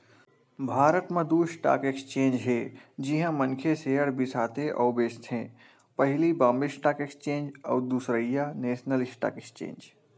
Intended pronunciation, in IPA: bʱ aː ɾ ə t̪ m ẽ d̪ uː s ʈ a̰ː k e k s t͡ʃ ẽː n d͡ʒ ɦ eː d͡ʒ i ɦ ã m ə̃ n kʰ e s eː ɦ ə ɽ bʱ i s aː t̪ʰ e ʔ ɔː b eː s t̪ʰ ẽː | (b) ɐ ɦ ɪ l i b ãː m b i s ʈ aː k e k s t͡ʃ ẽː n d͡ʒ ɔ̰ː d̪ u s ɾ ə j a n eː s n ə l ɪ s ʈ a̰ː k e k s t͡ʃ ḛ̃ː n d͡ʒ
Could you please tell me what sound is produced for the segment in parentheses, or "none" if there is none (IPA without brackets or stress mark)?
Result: p